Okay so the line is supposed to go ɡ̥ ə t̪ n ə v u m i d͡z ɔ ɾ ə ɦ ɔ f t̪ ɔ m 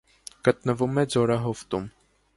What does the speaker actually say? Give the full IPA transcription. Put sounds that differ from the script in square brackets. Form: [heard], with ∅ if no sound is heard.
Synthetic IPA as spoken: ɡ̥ ə t̪ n ə v u m [ɛ] d͡z ɔ ɾ [ɑ] ɦ ɔ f t̪ [u] m